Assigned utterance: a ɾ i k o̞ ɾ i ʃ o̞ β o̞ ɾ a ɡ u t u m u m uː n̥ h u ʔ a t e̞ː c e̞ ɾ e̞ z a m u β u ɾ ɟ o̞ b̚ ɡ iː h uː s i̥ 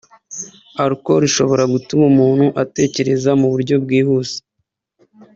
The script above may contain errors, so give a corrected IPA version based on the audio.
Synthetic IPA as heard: a ɾ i k o̞ ɾ i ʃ o̞ β o̞ ɾ a ɡ u t u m u m uː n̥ h u ʔ a t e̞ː c e̞ ɾ e̞ z a m u β u ɾ ɟ o̞ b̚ ɡ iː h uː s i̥